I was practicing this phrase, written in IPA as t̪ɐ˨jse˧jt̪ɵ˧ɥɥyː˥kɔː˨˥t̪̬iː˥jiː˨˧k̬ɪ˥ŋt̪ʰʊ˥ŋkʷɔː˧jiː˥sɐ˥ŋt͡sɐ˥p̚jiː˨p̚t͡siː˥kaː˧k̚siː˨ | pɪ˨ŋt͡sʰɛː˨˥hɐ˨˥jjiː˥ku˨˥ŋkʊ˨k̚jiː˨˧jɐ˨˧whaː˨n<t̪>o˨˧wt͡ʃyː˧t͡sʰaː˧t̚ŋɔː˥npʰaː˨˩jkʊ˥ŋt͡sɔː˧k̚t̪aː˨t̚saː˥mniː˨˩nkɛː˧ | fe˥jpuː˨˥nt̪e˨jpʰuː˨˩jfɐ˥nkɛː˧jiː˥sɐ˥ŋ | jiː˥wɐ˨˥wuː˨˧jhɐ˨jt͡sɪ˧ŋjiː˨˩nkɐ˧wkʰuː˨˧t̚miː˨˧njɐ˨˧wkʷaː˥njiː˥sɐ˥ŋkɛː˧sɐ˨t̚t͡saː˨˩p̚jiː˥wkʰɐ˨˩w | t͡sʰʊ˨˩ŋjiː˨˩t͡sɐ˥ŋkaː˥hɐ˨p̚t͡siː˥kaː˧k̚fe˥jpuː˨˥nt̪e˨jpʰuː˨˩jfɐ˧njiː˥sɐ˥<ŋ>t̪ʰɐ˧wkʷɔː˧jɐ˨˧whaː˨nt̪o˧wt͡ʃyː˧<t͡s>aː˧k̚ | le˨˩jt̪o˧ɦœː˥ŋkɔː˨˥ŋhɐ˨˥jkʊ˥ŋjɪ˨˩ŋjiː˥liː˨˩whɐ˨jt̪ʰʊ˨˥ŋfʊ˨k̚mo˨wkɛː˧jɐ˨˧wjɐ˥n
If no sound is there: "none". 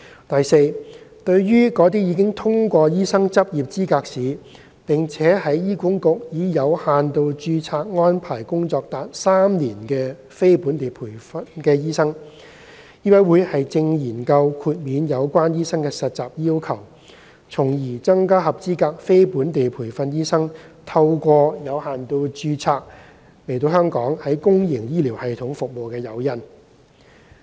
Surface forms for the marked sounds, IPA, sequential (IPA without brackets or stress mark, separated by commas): t̪, ŋ, t͡sʰ